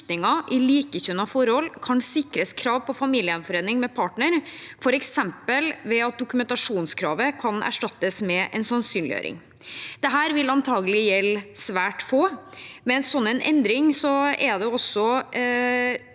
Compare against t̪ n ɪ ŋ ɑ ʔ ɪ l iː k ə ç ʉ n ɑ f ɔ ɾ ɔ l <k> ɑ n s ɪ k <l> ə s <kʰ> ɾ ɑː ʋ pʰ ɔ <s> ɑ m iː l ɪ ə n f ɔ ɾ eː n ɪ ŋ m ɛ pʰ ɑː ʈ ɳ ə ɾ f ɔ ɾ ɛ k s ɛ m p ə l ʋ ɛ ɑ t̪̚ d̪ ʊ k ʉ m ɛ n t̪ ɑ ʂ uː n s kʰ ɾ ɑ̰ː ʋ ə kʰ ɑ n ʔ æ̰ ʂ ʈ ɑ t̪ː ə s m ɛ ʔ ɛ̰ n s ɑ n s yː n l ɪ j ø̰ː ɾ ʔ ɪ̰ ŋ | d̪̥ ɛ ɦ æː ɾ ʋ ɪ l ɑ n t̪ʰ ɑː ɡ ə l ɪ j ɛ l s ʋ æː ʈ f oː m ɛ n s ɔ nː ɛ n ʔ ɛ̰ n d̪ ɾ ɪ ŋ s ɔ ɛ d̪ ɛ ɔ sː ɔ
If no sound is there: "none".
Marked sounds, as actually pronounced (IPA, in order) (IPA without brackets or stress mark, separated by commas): kʰ, ɾ, kʰ, f